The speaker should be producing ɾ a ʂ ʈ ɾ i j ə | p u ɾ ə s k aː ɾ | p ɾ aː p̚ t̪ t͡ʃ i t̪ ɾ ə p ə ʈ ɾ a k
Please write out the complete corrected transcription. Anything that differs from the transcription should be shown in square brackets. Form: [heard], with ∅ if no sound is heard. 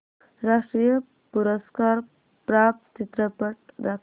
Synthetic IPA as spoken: ɾ a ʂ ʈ ɾ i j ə | p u ɾ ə s k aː ɾ | p ɾ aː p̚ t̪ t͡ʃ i t̪ ɾ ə p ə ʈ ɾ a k